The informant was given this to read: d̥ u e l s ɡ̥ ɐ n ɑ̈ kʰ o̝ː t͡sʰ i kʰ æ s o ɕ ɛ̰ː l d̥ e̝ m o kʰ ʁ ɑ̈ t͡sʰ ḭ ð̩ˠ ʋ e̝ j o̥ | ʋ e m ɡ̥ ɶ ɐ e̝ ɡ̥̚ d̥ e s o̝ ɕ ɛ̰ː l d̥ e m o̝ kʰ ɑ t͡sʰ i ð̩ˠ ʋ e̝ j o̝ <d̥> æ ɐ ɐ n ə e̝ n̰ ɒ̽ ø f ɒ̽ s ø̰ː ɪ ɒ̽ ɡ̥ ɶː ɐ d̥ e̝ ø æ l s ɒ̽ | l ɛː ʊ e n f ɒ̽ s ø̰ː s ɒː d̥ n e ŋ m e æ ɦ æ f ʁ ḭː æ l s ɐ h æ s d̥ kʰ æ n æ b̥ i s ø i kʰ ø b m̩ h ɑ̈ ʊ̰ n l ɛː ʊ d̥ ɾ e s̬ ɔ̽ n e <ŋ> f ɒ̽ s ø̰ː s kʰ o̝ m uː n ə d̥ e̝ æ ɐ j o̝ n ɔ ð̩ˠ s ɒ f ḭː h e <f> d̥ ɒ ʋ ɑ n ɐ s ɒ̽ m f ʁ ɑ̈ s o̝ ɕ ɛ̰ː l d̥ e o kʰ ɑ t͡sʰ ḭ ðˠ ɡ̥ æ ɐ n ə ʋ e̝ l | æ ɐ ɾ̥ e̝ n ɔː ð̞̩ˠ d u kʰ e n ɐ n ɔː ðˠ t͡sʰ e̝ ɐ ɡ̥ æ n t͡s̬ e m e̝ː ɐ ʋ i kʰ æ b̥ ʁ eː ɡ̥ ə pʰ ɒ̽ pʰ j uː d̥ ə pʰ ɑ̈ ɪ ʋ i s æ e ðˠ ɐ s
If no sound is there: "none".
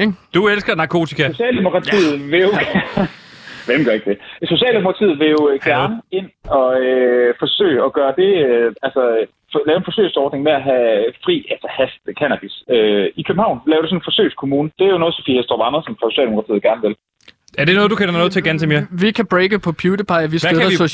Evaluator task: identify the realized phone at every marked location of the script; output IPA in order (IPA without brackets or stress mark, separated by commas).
ɡ̥, n, s